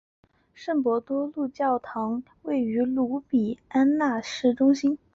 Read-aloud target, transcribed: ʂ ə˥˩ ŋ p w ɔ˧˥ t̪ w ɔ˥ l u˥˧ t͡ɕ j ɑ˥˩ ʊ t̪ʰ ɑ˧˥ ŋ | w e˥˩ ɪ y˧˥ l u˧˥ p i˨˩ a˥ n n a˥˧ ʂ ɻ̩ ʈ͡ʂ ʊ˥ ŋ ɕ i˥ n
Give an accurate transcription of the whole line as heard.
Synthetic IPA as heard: ʂ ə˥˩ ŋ p w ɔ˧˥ t̪ w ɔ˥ l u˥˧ t͡ɕ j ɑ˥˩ ʊ t̪ʰ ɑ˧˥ ŋ | w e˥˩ ɪ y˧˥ l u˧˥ p i˨˩ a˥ n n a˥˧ ʂ ɻ̩ ʈ͡ʂ ʊ˥ ŋ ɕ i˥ n